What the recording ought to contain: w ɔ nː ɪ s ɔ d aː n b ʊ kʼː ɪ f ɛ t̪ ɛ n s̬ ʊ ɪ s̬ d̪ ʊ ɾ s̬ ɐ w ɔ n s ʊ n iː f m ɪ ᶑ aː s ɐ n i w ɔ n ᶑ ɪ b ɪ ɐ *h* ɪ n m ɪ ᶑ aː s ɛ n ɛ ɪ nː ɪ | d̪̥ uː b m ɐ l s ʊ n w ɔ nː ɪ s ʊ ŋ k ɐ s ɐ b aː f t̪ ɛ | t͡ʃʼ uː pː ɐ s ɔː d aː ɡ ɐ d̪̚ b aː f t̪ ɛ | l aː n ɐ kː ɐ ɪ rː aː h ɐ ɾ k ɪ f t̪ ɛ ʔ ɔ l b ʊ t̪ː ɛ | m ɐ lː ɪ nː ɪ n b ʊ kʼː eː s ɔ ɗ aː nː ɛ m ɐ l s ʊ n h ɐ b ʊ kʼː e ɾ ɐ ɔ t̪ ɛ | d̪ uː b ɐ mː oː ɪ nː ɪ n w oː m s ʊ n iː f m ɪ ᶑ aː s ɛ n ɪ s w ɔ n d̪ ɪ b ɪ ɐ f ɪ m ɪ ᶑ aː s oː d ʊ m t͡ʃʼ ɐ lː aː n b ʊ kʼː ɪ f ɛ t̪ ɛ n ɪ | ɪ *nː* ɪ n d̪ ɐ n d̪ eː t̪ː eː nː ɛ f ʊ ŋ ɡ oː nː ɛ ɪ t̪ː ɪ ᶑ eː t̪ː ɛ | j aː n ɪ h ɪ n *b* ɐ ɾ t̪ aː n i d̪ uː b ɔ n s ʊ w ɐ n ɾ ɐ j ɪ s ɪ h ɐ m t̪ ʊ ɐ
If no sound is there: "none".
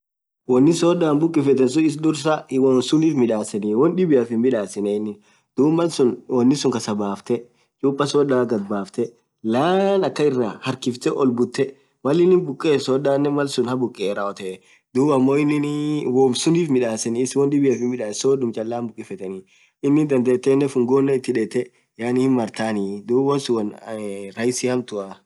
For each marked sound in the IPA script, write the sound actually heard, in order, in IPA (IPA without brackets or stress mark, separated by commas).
f, nː, m